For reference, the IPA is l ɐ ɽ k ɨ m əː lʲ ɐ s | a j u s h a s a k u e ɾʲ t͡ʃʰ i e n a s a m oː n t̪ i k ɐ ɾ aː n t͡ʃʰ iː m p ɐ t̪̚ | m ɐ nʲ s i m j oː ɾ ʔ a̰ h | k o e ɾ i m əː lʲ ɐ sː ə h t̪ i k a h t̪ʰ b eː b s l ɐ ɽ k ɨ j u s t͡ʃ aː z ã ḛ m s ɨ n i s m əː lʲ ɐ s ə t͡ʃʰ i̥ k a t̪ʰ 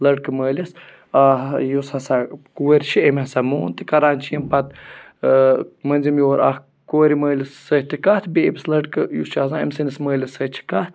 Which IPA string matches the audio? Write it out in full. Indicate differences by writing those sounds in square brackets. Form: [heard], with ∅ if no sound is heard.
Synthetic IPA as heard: l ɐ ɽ k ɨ m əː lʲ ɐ s | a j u s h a s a k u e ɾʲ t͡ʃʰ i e [m] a s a m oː n t̪ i k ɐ ɾ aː n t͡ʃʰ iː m p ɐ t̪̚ | m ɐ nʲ [z] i m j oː ɾ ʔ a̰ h | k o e ɾ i m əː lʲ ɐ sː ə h t̪ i k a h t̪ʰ b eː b s l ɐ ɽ k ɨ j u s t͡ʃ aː z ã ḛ m s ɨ n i s m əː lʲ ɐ s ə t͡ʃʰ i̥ k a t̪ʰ